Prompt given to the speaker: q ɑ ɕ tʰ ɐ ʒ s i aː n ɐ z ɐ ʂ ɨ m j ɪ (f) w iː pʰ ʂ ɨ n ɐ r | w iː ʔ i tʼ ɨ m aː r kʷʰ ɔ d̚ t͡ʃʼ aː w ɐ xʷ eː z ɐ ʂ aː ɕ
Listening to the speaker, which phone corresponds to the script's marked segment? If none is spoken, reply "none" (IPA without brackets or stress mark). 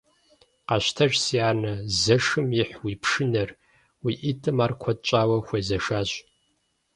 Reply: ħ